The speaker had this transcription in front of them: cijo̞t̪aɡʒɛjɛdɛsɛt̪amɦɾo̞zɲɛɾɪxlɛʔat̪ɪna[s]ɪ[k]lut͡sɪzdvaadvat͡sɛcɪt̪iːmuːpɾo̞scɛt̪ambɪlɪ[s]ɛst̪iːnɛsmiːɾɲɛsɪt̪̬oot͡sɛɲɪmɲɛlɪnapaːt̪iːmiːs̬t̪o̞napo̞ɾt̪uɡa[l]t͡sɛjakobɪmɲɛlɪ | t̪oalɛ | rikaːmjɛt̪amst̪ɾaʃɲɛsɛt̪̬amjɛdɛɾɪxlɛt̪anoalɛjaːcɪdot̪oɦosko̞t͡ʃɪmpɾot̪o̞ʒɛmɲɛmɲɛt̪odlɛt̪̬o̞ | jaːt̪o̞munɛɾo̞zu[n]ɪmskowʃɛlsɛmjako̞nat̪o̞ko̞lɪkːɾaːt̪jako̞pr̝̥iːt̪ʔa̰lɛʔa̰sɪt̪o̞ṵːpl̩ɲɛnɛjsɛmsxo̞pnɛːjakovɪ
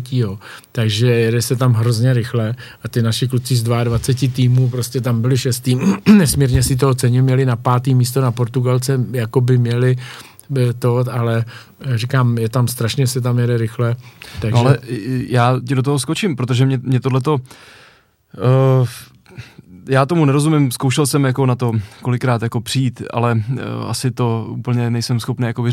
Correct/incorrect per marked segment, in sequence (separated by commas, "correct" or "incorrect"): incorrect, correct, incorrect, correct, incorrect